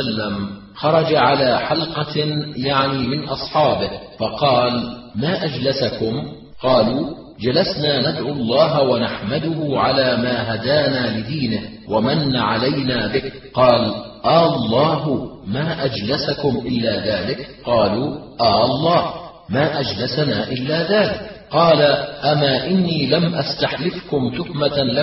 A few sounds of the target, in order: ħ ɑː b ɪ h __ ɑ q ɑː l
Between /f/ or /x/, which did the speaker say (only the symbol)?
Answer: f